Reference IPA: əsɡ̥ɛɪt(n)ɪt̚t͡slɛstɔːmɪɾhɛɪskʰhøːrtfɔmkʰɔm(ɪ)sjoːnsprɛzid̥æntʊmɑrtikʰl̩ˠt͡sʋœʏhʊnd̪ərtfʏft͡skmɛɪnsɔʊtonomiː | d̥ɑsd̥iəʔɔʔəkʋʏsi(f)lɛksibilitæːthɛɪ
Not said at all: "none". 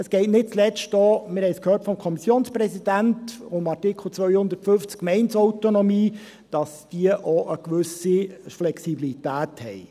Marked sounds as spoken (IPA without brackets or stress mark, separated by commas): n, i, f